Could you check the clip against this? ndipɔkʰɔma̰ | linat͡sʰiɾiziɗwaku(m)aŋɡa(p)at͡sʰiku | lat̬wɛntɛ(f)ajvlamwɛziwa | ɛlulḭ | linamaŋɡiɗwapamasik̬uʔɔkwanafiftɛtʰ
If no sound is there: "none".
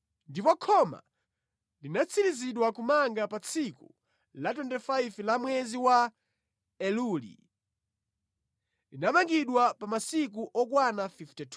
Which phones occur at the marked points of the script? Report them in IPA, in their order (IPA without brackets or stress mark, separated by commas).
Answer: m, p, f